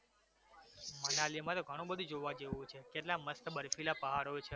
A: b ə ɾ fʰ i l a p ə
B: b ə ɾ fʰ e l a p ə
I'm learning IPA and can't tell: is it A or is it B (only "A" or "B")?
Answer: A